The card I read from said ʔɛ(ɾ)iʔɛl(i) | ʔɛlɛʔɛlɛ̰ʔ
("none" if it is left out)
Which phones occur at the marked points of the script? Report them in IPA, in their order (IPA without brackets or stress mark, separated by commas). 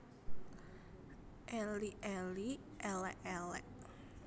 l, i